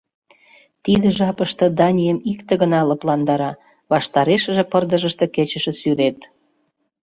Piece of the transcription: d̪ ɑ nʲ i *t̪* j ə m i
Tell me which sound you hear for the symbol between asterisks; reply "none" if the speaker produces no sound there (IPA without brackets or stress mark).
none